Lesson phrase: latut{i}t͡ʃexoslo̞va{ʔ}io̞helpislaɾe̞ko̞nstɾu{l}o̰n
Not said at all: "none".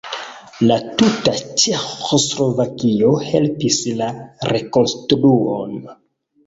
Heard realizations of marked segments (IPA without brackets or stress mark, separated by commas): a, k, none